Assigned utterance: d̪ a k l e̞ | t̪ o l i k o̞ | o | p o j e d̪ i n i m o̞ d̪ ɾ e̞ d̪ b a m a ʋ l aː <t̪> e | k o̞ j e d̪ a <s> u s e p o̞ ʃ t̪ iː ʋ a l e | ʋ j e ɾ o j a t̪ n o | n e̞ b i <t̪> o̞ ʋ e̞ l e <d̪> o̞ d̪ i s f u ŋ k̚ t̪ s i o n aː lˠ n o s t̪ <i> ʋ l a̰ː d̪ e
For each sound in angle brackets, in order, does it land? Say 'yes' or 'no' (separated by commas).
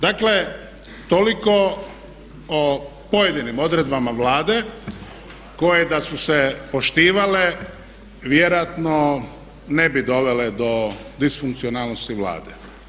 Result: no, yes, no, yes, yes